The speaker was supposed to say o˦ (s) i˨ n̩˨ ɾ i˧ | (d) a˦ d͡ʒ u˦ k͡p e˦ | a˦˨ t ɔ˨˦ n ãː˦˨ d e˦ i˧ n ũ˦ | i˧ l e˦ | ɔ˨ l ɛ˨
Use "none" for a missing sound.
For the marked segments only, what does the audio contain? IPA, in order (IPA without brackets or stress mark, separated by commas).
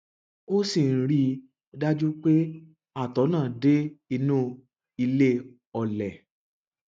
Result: s, d